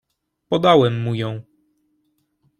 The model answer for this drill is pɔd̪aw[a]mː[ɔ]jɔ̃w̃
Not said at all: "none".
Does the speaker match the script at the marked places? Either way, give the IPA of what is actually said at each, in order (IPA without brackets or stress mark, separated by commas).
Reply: ɛ, u